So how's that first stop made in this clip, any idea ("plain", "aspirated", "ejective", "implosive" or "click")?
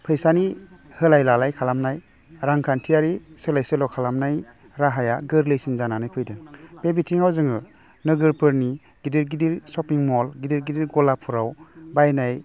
aspirated